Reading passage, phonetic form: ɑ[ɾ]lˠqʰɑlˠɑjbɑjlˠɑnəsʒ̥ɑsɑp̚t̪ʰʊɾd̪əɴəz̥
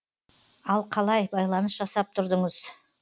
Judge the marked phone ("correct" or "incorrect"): incorrect